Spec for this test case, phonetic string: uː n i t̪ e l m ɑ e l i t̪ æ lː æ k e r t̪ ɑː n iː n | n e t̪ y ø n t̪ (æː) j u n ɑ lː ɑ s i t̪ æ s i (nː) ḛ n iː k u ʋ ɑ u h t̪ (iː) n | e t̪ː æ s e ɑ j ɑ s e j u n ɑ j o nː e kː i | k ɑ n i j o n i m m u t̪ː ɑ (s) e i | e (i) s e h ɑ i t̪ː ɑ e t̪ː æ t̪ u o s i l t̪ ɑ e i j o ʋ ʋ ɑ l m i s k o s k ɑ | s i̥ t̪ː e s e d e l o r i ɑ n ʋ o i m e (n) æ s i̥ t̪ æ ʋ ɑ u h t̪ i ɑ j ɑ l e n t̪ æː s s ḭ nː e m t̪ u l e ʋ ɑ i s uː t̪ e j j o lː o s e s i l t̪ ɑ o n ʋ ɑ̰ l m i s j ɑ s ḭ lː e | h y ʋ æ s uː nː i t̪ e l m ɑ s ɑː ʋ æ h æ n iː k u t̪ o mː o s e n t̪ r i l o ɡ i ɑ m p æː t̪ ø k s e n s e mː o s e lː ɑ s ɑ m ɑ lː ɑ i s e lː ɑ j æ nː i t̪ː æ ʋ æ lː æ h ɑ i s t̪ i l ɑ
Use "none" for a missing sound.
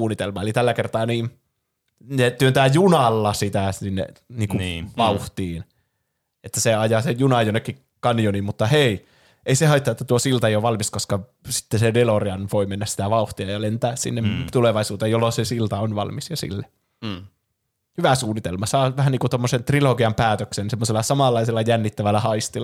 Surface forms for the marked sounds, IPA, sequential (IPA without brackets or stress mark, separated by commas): æː, nː, iː, h, i, nː